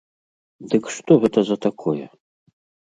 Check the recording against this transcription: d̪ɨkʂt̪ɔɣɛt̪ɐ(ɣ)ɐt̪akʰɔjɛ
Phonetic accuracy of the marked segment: incorrect: z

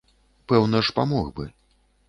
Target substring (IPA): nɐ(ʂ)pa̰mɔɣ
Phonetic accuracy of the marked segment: correct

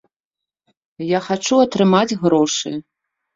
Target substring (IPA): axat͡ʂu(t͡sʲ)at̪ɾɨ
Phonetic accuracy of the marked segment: incorrect: none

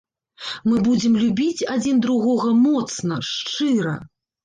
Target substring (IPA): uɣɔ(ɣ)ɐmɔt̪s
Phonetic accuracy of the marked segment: correct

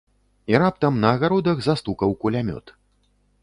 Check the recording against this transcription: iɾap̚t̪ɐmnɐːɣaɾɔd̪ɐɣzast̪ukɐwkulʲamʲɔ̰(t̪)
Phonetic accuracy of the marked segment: correct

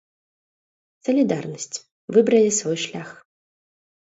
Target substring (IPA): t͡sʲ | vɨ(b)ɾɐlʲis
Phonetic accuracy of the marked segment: correct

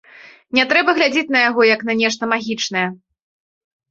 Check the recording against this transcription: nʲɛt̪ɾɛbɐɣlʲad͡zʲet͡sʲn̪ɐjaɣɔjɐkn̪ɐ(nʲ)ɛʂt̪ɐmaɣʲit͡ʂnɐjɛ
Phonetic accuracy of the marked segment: correct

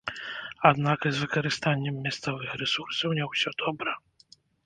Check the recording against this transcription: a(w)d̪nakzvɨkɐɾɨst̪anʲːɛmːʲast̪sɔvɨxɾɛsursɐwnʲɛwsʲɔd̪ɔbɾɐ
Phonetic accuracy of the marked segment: incorrect: none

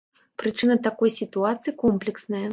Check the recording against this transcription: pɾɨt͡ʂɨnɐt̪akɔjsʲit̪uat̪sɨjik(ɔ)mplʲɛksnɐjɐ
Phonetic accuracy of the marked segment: correct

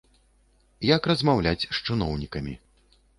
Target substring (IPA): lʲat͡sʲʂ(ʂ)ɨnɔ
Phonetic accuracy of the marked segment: incorrect: t͡ʂ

